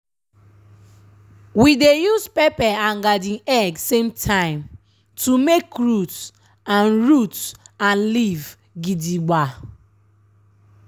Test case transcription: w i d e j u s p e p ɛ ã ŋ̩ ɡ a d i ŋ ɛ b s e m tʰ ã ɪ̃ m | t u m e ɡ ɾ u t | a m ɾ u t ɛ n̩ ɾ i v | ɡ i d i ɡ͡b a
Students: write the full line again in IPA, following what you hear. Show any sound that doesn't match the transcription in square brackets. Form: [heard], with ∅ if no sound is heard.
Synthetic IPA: w i d e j u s p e p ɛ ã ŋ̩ ɡ a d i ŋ ɛ [ɡ] s e m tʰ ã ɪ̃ m | t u m e [k] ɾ u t | a [n] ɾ u t [a] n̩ [l] i v | ɡ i d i ɡ͡b a